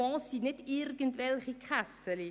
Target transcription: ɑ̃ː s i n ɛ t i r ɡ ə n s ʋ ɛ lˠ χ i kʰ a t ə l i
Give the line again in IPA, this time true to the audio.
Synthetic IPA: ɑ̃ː s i n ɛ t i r ɡ ə n t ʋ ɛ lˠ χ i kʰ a s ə l i